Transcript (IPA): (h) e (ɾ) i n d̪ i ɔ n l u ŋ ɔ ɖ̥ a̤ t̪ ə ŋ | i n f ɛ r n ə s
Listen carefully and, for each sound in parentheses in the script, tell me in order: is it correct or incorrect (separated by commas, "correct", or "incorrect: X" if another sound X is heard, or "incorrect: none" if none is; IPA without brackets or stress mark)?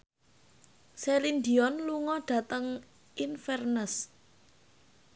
incorrect: s, incorrect: l